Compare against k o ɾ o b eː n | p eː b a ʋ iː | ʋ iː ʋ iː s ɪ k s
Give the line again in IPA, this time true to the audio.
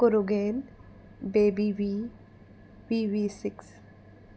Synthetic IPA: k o ɾ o ɡ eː n | b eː b i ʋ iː | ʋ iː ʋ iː s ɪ k s